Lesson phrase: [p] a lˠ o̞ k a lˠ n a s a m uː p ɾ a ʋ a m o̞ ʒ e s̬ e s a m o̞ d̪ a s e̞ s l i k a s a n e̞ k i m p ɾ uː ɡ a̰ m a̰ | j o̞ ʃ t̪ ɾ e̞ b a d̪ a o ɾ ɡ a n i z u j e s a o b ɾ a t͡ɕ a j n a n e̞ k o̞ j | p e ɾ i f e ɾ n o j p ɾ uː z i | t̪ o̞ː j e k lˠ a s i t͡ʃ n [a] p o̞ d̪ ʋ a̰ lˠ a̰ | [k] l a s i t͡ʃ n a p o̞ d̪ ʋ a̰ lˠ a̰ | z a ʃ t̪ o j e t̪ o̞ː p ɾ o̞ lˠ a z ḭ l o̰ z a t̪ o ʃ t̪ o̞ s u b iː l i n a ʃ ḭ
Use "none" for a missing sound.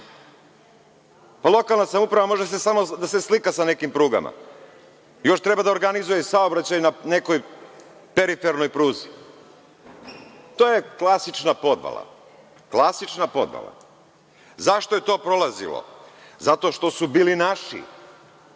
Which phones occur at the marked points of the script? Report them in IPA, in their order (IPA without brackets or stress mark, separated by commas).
p, a, k